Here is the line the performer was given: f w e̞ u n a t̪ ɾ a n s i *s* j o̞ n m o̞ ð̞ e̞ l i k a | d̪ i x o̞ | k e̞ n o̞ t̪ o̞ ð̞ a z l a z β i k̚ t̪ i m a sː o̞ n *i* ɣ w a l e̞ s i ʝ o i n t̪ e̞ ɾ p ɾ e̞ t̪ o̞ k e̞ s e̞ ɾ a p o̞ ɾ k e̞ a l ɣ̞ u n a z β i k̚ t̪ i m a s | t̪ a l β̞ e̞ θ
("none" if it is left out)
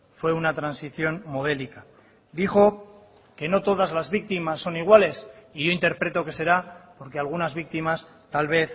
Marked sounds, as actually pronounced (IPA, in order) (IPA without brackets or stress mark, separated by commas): θ, i